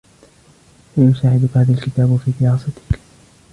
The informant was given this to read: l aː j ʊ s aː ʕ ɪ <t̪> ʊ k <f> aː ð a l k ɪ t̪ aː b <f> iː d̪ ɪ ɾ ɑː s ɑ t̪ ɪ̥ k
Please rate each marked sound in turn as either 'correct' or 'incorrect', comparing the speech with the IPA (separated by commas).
incorrect, incorrect, correct